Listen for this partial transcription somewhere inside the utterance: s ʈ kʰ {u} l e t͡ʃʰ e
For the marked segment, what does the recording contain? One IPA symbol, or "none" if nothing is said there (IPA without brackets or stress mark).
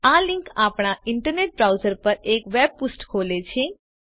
o